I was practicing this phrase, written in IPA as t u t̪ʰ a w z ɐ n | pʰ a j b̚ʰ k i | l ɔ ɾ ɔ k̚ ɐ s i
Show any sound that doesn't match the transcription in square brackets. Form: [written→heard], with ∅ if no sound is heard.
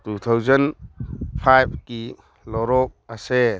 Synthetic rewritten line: t u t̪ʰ a w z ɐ n | pʰ a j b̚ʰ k i | l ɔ ɾ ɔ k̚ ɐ s [i→e]

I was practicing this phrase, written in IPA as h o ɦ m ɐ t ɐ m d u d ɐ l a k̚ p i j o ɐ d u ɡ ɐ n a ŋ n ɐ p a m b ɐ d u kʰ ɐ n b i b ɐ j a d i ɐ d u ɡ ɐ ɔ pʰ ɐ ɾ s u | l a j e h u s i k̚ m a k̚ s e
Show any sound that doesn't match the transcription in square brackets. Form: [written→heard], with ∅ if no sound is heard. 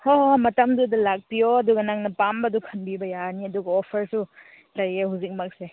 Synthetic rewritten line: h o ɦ m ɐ t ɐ m d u d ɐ l a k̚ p i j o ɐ d u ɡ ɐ n a ŋ n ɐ p a m b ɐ d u kʰ ɐ n b i b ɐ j a [d→n] i ɐ d u ɡ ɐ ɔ pʰ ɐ ɾ s u | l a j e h u [s→z] i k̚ m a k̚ s e

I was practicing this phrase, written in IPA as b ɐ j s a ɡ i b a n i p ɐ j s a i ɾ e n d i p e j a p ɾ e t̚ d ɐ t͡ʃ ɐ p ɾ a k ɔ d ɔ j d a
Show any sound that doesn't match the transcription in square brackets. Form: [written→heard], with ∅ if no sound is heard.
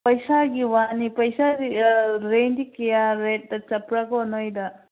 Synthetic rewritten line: [b→p] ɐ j s a ɡ i [b→w] a n i p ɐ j s a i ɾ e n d i [p→k] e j a [p→∅] ɾ e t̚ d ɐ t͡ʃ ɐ p ɾ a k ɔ [d→n] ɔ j d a

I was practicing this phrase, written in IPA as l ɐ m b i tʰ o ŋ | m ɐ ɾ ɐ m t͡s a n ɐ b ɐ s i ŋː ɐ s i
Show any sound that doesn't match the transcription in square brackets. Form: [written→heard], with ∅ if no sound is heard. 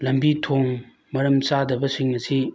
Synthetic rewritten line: l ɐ m b i tʰ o ŋ | m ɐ ɾ ɐ m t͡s a [n→d] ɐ b ɐ s i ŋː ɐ s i

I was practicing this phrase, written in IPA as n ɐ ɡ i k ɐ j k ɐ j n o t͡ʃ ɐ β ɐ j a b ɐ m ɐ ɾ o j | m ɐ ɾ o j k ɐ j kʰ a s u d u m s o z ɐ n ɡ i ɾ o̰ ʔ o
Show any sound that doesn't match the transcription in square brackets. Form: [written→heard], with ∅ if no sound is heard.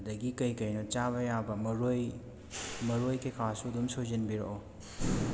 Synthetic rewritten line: [n→d] ɐ ɡ i k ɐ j k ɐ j n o t͡ʃ [ɐ→a] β ɐ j a b ɐ m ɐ ɾ o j | m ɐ ɾ o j k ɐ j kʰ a s u d u m s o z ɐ n [ɡ→b] i ɾ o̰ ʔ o

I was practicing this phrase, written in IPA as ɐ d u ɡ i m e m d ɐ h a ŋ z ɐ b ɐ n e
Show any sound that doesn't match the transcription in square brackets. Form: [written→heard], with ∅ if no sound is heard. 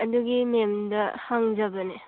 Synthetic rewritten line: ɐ d u ɡ i m e m d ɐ h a ŋ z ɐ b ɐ n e

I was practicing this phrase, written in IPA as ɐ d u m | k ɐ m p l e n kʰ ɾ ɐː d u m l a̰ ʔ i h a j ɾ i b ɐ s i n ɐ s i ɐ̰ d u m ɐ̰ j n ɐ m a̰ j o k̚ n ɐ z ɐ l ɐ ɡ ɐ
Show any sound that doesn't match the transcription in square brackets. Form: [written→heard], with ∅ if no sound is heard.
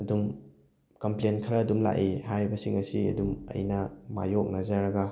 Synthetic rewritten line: ɐ d u m | k ɐ m p l e n kʰ ɾ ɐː d u m l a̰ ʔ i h a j ɾ i b ɐ s i [n→ŋ] ɐ s i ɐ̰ d u m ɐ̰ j n ɐ m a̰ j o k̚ n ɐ z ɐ [l→ɾ] ɐ ɡ ɐ

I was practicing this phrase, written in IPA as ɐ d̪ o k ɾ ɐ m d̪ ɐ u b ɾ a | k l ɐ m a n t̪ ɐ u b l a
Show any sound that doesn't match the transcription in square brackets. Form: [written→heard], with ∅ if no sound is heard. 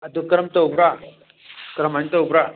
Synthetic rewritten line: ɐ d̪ [o→u] k ɾ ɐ m [d̪→t̪] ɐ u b ɾ a | k [l→ɾ] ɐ m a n t̪ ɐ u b [l→ɾ] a

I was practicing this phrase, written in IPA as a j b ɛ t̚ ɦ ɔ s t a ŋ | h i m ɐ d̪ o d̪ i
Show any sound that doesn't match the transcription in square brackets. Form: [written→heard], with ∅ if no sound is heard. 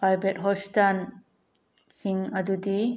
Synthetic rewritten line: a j b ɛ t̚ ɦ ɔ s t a [ŋ→n] | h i [m→ŋ] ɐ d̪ [o→u] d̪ i

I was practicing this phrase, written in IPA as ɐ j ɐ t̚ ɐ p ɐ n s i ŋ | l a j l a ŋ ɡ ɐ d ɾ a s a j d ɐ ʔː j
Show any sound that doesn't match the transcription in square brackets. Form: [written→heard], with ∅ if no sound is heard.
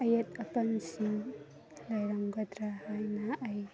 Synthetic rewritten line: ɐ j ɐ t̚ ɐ p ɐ n s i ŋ | l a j [l→ɾ] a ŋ ɡ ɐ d ɾ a [s→h] a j [d→n] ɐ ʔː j

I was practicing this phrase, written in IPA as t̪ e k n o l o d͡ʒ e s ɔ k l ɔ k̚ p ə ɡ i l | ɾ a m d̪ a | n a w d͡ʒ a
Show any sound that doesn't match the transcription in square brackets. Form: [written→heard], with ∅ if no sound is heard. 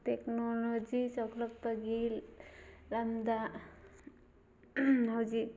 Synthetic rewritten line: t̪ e k n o l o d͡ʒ [e→i] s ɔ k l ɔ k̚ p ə ɡ i l | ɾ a m d̪ a | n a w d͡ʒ [a→i]

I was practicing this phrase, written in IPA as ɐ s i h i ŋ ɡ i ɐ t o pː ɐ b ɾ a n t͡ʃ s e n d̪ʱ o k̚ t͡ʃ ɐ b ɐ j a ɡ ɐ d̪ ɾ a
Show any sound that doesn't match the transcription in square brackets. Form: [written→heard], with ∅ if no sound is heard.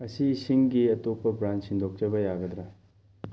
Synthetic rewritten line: ɐ s i [h→s] i ŋ ɡ i ɐ t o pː ɐ b ɾ a n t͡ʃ s [e→i] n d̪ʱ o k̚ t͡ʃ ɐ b ɐ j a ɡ ɐ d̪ ɾ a

